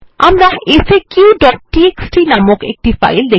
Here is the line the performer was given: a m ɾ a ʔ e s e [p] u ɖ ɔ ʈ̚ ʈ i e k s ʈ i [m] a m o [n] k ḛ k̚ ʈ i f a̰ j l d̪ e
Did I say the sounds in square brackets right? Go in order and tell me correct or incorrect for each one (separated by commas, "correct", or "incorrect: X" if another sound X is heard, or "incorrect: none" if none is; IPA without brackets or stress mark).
incorrect: k, incorrect: n, incorrect: none